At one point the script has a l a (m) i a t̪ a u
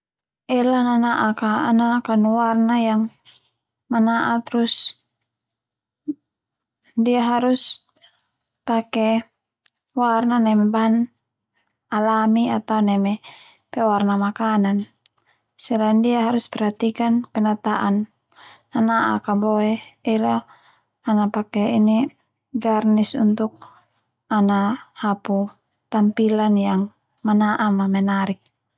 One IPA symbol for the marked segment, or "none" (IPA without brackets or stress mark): m